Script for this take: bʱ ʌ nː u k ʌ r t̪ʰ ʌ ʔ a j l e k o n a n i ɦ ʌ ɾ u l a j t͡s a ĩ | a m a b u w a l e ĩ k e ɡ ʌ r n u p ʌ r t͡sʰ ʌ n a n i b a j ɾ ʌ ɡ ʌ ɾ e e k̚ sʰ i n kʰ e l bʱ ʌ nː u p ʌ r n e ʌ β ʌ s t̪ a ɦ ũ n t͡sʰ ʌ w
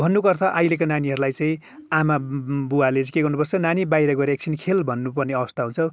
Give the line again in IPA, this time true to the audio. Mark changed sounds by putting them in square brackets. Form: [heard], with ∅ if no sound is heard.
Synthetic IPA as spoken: bʱ ʌ nː u k ʌ r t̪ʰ ʌ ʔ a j l e k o n a n i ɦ ʌ ɾ u l a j t͡s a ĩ | a m a b u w a l e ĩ k e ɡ ʌ r n u p ʌ r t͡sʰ ʌ n a n i b a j ɾ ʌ ɡ ʌ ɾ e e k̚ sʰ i n kʰ e l bʱ ʌ nː u p ʌ r n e ʌ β ʌ s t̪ a ɦ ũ n t͡sʰ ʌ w